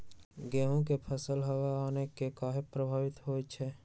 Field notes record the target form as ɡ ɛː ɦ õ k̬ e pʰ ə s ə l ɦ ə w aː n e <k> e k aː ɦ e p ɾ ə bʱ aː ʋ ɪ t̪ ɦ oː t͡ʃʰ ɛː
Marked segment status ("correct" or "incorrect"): correct